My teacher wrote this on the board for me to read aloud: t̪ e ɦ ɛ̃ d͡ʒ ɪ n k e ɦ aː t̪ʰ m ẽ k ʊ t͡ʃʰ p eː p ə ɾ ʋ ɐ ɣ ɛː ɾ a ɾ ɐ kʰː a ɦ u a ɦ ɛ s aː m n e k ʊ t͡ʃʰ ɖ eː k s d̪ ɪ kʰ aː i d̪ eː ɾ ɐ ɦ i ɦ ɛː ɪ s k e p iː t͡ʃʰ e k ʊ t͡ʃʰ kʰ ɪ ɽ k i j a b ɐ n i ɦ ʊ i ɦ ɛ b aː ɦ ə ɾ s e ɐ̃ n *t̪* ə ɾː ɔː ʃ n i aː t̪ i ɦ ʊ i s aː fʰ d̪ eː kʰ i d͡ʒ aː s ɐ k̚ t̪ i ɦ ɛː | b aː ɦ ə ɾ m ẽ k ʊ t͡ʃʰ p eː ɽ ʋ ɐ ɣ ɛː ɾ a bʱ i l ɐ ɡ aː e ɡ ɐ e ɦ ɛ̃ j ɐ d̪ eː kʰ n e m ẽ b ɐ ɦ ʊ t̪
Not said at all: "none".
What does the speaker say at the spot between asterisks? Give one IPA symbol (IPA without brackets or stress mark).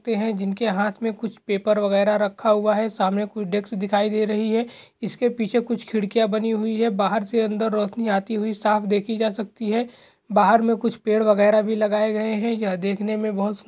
d̪